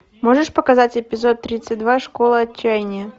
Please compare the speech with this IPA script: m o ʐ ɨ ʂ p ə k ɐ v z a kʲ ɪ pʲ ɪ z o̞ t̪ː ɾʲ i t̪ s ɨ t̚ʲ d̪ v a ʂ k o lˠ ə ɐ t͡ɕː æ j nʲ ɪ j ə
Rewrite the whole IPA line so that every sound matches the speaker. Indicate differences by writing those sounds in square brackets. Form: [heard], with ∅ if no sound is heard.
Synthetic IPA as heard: m o ʐ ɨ ʂ p ə k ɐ [∅] z a [tʲ] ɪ pʲ ɪ z o̞ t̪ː ɾʲ i t̪ s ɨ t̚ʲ d̪ v a ʂ k o lˠ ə ɐ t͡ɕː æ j nʲ ɪ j ə